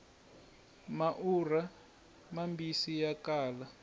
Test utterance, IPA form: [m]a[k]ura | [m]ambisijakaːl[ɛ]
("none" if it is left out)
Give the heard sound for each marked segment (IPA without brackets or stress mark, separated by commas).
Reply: m, ʔ, m, a